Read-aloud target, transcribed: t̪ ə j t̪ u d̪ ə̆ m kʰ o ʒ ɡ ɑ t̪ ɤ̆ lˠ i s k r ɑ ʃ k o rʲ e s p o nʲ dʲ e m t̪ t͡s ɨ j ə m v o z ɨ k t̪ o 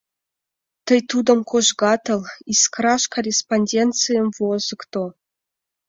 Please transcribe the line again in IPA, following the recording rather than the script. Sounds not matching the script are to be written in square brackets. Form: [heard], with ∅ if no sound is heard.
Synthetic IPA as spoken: t̪ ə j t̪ u d̪ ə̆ m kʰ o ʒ ɡ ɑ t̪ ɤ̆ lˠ i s k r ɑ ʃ k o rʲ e s p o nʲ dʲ e [n] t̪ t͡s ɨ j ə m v o z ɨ k t̪ o